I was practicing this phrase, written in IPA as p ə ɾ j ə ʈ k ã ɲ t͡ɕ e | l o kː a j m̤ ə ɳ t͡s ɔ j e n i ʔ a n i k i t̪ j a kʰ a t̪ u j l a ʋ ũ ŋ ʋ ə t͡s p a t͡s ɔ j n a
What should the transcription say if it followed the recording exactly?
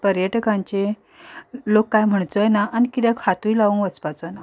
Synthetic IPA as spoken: p ə ɾ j ə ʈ k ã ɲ t͡ɕ e | l o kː a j m̤ ə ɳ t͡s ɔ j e n a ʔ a n i k i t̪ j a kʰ a t̪ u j l a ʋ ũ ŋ ʋ ə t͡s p a t͡s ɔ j n a